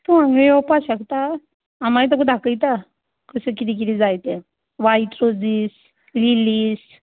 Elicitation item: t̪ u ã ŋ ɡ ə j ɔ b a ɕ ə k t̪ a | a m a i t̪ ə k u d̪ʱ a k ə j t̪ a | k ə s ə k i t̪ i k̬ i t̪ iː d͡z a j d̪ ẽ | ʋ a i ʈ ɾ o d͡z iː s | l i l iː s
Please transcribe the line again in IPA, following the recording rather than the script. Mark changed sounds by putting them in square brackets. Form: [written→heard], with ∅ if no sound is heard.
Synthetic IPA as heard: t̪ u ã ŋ ɡ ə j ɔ [b→p] a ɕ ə k t̪ a | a m a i t̪ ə k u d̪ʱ a k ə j t̪ a | k ə s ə k i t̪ i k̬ i t̪ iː d͡z a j [d̪→t̪] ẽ | ʋ a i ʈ ɾ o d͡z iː s | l i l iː s